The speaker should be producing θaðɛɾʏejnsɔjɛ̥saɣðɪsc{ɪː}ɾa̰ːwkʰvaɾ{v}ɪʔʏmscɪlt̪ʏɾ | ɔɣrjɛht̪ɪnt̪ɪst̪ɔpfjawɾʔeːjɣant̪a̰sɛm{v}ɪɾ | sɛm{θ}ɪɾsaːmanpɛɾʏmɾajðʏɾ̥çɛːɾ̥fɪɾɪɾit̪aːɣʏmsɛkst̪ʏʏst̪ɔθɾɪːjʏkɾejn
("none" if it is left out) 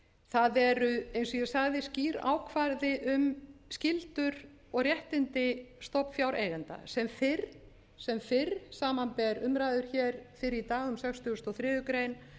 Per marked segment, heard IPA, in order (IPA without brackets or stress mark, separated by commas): iː, ð, f, f